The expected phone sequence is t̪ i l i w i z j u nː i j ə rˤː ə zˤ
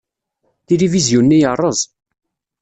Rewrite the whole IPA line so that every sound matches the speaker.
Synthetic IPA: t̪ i l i v i z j u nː i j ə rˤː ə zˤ